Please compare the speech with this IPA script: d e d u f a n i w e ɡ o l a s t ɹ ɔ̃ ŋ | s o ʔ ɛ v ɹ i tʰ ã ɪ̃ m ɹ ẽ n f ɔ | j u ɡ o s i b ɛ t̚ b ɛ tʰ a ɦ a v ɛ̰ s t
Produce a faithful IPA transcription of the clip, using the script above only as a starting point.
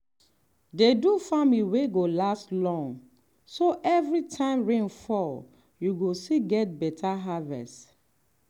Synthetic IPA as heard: d e d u f a m i w e ɡ o l a s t l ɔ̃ ŋ | s o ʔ ɛ v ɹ i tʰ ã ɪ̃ m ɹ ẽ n f ɔ | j u ɡ o s i ɡ ɛ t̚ b ɛ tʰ a ɦ a v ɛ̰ s t